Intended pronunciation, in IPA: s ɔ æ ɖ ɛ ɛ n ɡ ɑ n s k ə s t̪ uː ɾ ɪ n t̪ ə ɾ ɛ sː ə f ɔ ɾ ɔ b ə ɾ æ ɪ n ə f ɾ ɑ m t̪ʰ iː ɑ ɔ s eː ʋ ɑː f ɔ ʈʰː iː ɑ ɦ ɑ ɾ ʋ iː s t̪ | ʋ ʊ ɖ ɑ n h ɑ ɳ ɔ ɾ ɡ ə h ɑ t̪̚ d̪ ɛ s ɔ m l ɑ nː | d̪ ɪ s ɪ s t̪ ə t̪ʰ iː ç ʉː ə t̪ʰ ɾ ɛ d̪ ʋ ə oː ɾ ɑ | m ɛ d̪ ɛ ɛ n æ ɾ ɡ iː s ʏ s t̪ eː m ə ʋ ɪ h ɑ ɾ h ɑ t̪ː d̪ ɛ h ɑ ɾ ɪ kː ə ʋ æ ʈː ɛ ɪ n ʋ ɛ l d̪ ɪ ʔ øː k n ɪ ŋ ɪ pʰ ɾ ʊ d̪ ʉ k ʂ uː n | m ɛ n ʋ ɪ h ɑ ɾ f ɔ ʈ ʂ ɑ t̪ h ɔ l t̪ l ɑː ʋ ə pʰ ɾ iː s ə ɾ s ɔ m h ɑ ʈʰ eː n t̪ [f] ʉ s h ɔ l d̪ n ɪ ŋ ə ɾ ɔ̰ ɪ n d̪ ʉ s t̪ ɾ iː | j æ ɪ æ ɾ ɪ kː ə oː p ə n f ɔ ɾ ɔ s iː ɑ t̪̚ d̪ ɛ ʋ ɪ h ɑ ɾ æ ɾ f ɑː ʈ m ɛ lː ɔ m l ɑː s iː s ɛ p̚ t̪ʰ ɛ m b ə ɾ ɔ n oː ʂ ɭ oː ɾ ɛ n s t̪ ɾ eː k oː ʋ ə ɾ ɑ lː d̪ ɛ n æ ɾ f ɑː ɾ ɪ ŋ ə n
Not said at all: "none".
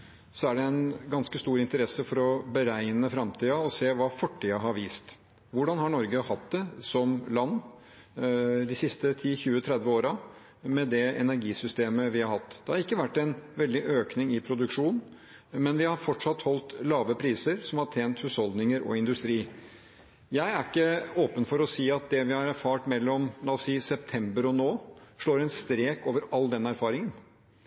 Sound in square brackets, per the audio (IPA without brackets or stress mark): h